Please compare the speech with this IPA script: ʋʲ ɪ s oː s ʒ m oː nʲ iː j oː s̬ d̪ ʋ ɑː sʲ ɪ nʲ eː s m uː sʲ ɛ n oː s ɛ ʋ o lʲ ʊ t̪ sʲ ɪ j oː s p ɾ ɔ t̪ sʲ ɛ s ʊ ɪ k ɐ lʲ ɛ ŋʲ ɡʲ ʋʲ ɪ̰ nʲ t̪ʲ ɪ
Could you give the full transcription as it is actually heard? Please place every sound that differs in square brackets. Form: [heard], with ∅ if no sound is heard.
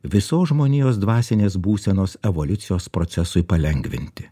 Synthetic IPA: ʋʲ ɪ s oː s ʒ m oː nʲ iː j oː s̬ d̪ ʋ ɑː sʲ ɪ nʲ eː s [b] uː sʲ ɛ n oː s ɛ ʋ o lʲ ʊ t̪ sʲ ɪ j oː s p ɾ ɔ t̪ sʲ ɛ s ʊ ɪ [p] ɐ lʲ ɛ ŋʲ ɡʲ ʋʲ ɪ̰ nʲ t̪ʲ ɪ